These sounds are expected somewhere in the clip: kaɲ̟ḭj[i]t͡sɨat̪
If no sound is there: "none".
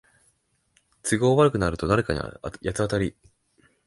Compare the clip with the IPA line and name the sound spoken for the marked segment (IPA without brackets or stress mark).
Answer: a